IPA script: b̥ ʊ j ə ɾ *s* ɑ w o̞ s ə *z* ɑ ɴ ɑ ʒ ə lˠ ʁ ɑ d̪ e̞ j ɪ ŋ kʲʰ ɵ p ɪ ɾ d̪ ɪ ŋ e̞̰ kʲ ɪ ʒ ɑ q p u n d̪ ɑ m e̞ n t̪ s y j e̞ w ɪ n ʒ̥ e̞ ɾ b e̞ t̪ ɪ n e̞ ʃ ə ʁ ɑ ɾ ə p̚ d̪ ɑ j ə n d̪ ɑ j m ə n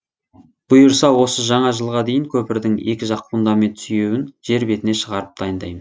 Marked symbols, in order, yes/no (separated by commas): yes, no